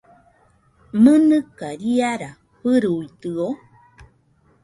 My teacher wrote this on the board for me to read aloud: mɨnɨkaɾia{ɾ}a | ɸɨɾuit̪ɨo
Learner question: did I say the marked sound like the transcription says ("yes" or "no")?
yes